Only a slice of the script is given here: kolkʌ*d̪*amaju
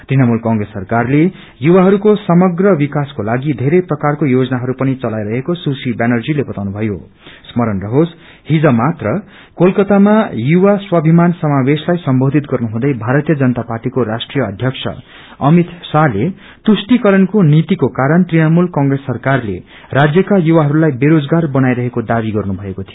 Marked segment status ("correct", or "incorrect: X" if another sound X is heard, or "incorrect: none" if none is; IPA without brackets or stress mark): incorrect: t̪